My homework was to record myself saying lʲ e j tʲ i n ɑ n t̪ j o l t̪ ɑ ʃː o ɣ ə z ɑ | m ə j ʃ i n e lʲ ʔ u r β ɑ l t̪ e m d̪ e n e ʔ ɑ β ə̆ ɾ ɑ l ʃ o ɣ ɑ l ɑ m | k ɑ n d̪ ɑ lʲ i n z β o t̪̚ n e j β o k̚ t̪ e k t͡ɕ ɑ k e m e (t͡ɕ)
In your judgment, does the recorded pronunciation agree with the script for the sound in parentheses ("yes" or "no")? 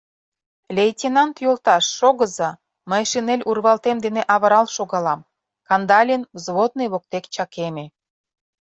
no